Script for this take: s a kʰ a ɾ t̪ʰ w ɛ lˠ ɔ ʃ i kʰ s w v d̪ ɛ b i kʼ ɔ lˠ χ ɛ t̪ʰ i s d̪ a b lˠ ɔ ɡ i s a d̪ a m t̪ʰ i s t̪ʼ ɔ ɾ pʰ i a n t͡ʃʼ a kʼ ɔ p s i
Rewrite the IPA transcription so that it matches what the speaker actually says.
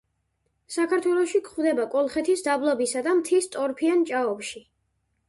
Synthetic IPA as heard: s a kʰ a ɾ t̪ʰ w ɛ lˠ ɔ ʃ i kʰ χ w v d̪ ɛ b a kʼ ɔ lˠ χ ɛ t̪ʰ i s d̪ a b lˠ ɔ b i s a d̪ a m t̪ʰ i s t̪ʼ ɔ ɾ pʰ i a n t͡ʃʼ a ɔ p ʃ i